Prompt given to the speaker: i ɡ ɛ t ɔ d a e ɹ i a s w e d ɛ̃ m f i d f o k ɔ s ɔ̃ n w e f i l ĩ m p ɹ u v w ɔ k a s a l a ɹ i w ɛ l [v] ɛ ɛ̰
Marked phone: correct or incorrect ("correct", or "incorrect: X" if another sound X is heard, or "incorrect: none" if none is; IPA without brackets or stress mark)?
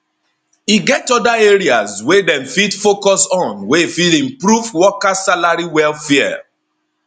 incorrect: f